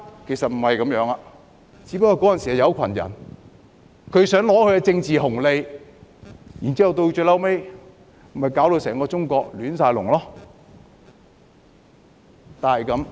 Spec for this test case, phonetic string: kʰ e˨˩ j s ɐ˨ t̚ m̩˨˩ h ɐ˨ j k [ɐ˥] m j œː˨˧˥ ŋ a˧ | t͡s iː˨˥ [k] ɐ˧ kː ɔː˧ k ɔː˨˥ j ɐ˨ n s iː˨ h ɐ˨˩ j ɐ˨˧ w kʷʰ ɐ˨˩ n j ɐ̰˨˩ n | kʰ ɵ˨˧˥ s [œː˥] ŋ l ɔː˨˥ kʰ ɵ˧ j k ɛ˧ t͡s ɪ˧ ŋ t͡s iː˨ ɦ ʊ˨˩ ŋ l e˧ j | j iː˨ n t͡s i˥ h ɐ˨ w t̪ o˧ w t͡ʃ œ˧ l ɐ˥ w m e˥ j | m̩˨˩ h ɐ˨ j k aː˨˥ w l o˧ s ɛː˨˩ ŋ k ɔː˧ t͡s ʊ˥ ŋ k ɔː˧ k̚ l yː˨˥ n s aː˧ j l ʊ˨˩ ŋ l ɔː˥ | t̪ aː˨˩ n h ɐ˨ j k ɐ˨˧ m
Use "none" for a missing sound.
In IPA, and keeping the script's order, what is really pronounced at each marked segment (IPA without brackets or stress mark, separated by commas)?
ɐ˨˥, p, œː˨˥